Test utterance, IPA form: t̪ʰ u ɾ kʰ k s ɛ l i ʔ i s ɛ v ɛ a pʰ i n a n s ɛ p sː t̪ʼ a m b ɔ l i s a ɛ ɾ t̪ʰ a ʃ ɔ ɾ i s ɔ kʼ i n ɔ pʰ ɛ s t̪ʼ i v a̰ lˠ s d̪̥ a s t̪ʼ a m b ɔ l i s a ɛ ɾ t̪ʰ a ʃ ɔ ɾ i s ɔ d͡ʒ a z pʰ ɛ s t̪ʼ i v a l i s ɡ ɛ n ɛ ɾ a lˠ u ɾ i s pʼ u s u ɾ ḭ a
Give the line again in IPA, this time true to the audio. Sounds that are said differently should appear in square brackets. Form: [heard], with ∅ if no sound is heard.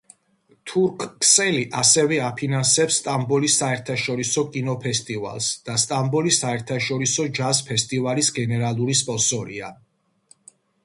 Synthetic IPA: t̪ʰ u ɾ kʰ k s ɛ l i ʔ [a] s ɛ v ɛ a pʰ i n a n s ɛ p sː t̪ʼ a m b ɔ l i s a ɛ ɾ t̪ʰ a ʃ ɔ ɾ i s ɔ kʼ i n ɔ pʰ ɛ s t̪ʼ i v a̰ lˠ s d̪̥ a s t̪ʼ a m b ɔ l i s a ɛ ɾ t̪ʰ a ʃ ɔ ɾ i s ɔ d͡ʒ a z pʰ ɛ s t̪ʼ i v a l i s ɡ ɛ n ɛ ɾ a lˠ u ɾ i s pʼ [ɔ] s [ɔ] ɾ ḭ a